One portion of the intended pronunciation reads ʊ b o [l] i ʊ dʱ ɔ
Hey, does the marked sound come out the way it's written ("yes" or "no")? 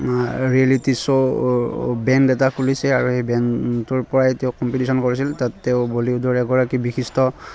yes